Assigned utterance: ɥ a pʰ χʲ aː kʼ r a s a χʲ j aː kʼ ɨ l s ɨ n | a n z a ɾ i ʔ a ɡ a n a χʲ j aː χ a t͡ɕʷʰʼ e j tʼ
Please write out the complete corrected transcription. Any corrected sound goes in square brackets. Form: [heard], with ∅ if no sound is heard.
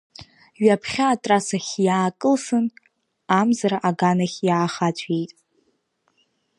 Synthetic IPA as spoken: ɥ a pʰ χʲ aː [tʼ] r a s a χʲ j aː kʼ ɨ l s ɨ n | a [m] z a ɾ [a] ʔ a ɡ a n a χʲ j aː χ a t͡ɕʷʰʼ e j tʼ